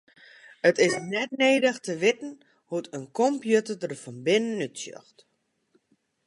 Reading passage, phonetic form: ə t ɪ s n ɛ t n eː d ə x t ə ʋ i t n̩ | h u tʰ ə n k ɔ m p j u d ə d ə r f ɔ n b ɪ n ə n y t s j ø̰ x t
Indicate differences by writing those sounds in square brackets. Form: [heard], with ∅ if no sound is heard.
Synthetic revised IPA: ə t ɪ s n ɛ t n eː d ə x t ə ʋ [ɪ] t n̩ | h u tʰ ə n k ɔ m p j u [t] ə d ə r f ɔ n b ɪ n ə n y t s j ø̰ x t